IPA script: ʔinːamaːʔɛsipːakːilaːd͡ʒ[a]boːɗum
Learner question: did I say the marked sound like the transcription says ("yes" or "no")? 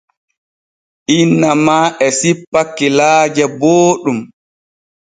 no